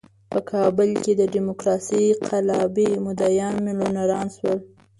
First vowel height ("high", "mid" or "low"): mid